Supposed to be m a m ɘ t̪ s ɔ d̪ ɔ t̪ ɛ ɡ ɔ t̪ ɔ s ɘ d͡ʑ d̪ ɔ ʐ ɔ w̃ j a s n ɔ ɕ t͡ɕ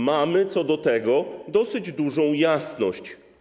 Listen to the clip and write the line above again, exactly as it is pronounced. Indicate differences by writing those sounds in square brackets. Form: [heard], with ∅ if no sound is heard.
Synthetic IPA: m a m ɘ t̪ s ɔ d̪ ɔ t̪ ɛ ɡ ɔ [d̪] ɔ s ɘ d͡ʑ d̪ [u] ʐ [ɔ̃] w̃ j a s n ɔ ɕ t͡ɕ